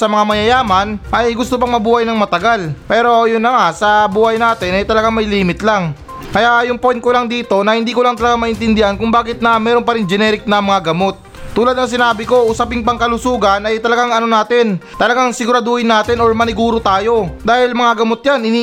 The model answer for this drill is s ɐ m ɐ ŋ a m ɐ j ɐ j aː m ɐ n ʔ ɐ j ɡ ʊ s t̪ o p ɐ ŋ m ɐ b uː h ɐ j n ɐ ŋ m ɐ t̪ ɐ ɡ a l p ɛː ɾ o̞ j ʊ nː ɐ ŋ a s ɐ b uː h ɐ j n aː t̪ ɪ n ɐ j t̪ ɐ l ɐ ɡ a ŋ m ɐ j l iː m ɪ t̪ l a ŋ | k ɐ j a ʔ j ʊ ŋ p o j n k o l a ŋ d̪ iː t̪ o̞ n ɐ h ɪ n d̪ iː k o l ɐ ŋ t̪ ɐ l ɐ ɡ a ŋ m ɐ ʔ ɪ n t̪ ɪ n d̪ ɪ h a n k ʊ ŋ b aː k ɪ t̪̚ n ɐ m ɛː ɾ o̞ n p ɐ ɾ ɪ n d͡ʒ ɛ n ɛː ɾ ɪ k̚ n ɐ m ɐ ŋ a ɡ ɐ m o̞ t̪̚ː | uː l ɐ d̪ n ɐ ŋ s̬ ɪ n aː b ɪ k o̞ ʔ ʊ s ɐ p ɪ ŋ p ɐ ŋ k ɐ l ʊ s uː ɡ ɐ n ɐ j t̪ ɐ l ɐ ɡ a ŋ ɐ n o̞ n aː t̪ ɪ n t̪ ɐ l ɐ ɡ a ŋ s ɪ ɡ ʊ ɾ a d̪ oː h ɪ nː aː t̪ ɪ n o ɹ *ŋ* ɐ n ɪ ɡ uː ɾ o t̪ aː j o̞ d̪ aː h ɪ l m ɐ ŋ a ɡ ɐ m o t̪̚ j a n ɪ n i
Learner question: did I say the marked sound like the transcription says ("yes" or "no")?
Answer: no